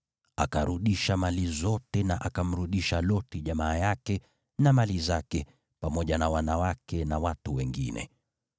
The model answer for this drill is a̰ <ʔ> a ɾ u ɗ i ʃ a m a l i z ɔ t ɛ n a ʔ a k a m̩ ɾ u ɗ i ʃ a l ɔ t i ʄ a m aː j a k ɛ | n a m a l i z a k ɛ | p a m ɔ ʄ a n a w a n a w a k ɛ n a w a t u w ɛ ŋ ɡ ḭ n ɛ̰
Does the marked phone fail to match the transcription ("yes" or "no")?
yes